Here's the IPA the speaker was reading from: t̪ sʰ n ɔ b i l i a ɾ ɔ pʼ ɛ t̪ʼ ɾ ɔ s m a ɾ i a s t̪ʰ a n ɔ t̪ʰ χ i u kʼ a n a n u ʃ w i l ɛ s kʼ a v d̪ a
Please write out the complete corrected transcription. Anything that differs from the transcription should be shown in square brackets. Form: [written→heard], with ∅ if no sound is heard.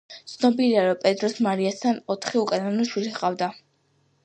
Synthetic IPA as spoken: t̪ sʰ n ɔ b i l i a ɾ ɔ pʼ ɛ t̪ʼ ɾ ɔ s m a ɾ i a s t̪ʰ a n ɔ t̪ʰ χ i u kʼ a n a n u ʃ w i l [ɛ→i] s [kʼ→qʼ] a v d̪ a